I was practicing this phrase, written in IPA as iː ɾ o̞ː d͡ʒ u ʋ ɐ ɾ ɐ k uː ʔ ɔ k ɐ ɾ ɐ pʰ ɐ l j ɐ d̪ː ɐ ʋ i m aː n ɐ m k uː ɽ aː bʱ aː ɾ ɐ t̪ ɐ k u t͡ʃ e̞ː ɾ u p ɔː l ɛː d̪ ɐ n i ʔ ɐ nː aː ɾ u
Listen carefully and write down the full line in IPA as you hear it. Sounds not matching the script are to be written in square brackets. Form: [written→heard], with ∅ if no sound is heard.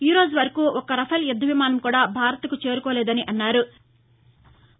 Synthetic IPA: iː ɾ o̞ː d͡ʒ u ʋ ɐ ɾ ɐ k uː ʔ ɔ k ɐ ɾ ɐ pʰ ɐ l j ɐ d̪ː ɐ ʋ i m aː n ɐ m k uː ɽ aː bʱ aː ɾ ɐ t̪ ɐ k u t͡ʃ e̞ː ɾ u [p→k] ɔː l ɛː d̪ ɐ n i ʔ ɐ nː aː ɾ u

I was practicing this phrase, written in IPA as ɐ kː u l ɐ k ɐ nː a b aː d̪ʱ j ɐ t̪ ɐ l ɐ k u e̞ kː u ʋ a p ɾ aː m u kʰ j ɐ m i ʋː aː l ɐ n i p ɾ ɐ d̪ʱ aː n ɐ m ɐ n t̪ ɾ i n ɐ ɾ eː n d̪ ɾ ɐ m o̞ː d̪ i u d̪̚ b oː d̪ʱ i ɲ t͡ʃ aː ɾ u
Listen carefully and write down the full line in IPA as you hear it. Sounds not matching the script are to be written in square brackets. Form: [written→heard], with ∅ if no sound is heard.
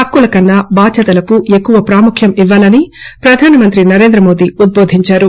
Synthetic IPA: ɐ kː u l ɐ k ɐ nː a b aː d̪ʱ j ɐ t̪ ɐ l ɐ k u e̞ kː u ʋ [a→ɐ] p ɾ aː m u kʰ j ɐ m i ʋː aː l ɐ n i p ɾ ɐ d̪ʱ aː n ɐ m ɐ n t̪ ɾ i n ɐ ɾ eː n d̪ ɾ ɐ m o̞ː d̪ i u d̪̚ b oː d̪ʱ i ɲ t͡ʃ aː ɾ u

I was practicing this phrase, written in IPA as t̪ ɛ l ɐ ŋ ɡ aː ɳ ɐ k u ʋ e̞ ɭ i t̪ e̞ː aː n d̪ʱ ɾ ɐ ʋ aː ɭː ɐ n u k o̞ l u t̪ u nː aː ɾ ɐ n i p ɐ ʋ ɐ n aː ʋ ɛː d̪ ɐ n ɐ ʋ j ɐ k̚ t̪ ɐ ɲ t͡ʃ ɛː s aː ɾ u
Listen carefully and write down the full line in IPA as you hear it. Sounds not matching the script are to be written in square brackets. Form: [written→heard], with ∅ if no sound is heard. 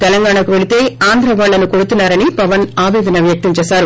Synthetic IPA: t̪ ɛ l ɐ ŋ ɡ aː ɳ ɐ k u ʋ e̞ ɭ i t̪ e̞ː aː n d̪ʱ ɾ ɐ ʋ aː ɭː ɐ n u k o̞ [l→ɽ] u t̪ u nː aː ɾ ɐ n i p ɐ ʋ ɐ n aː ʋ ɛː d̪ ɐ n ɐ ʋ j ɐ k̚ t̪ ɐ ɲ t͡ʃ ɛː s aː ɾ u

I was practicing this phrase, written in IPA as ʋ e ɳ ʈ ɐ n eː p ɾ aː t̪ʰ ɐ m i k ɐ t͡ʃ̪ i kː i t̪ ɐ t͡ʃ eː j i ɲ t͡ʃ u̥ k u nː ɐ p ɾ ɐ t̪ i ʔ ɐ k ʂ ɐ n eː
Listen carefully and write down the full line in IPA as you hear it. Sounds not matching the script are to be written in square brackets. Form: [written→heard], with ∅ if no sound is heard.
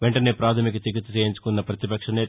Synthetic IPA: ʋ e ɳ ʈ ɐ n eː p ɾ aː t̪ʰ ɐ m i k ɐ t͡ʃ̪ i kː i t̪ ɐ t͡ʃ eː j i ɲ t͡ʃ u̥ k u nː ɐ p ɾ ɐ t̪ i [ʔ→p] ɐ k ʂ ɐ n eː

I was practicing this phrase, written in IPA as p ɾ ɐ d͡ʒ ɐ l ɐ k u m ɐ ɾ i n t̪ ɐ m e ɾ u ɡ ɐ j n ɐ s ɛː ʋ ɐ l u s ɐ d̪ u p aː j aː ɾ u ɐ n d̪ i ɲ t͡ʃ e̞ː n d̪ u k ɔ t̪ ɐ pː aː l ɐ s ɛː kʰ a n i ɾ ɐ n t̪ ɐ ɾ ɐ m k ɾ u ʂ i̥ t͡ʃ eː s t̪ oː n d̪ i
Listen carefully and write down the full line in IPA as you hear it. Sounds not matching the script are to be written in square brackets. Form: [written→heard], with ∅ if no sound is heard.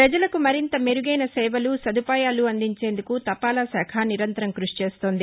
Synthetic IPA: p ɾ ɐ d͡ʒ ɐ l ɐ k u m ɐ ɾ i n t̪ ɐ m e ɾ u ɡ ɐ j n ɐ s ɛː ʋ ɐ l u s ɐ d̪ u p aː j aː [ɾ→l] u ɐ n d̪ i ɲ t͡ʃ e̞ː n d̪ u k [ɔ→u] t̪ ɐ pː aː l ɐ s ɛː kʰ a n i ɾ ɐ n t̪ ɐ ɾ ɐ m k ɾ u ʂ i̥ t͡ʃ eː s t̪ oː n d̪ i

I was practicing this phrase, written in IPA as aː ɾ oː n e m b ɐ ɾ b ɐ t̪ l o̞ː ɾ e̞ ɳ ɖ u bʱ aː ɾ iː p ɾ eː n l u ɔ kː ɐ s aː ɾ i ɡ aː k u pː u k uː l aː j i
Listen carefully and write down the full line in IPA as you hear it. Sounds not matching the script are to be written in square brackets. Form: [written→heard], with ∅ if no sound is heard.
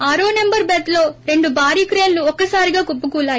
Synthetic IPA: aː ɾ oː n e m b ɐ ɾ b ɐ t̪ l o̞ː ɾ e̞ ɳ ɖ u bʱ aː ɾ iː [p→k] ɾ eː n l u ɔ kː ɐ s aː ɾ i ɡ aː k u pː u k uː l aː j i

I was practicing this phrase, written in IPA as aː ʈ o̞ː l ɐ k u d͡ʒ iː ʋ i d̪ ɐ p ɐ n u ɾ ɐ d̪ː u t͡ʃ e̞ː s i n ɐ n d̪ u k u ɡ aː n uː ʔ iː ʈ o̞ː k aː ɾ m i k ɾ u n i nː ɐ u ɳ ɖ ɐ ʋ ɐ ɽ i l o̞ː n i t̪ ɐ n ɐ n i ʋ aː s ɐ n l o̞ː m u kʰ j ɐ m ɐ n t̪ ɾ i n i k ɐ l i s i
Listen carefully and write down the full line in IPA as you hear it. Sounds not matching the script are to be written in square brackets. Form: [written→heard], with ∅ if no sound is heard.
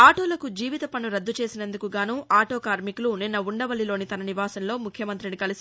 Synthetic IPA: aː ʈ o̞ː l ɐ k u d͡ʒ iː ʋ i [d̪→t̪] ɐ p ɐ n u ɾ ɐ d̪ː u t͡ʃ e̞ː s i n ɐ n d̪ u k u ɡ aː n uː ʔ [iː→aː] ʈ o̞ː k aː ɾ m i k [ɾ→l] u n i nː ɐ u ɳ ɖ ɐ ʋ ɐ [ɽ→l] i l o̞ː n i t̪ ɐ n ɐ n i ʋ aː s ɐ n l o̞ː m u kʰ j ɐ m ɐ n t̪ ɾ i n i k ɐ l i s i

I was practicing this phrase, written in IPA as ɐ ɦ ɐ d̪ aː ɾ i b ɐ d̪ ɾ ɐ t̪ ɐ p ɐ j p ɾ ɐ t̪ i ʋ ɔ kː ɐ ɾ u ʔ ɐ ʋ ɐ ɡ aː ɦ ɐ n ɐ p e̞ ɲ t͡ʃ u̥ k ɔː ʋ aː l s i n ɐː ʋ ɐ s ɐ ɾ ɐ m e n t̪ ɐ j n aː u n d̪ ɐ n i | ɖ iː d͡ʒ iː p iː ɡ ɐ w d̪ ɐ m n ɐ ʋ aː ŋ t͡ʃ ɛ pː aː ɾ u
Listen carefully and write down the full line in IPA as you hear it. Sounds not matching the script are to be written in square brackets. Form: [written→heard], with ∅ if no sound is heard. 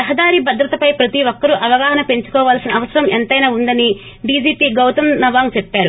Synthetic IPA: ɐ ɦ ɐ d̪ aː ɾ i b ɐ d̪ ɾ ɐ t̪ ɐ p ɐ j p ɾ ɐ t̪ i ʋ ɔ kː ɐ ɾ u ʔ ɐ ʋ ɐ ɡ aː ɦ ɐ n ɐ p e̞ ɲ t͡ʃ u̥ k ɔː ʋ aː l s i n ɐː ʋ ɐ s ɐ ɾ ɐ m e n t̪ ɐ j n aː u n d̪ ɐ n i | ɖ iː d͡ʒ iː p iː ɡ ɐ w [d̪→t̪] ɐ m n ɐ ʋ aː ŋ t͡ʃ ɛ pː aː ɾ u

